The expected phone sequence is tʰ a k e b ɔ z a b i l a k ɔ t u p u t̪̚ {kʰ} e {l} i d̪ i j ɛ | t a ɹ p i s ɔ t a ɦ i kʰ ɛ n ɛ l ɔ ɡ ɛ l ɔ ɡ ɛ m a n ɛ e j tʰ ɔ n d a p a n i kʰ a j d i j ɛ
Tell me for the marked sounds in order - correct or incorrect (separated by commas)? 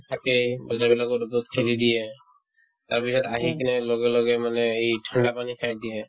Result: correct, correct